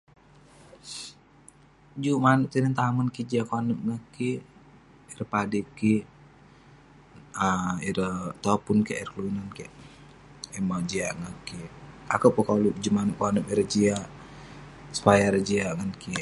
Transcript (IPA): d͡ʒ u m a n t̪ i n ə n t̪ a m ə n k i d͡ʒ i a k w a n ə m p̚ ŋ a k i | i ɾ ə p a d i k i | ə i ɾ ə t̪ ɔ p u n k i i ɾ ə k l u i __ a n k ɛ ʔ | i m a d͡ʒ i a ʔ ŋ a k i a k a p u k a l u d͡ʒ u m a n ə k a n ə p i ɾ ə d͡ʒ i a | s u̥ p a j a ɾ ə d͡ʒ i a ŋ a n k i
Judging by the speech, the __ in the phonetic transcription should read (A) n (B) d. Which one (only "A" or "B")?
A